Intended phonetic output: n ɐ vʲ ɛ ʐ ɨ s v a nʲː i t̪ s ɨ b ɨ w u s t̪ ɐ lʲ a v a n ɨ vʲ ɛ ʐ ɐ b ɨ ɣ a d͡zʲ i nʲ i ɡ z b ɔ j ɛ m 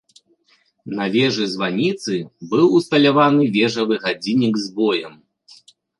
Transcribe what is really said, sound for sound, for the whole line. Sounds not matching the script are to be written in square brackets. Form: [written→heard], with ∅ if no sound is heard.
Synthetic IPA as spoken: n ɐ vʲ ɛ ʐ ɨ [s→z] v a [nʲː→nʲ] i t̪ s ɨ b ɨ w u s t̪ ɐ lʲ a v a n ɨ vʲ ɛ ʐ ɐ [b→v] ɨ ɣ a d͡zʲ i nʲ i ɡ z b ɔ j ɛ m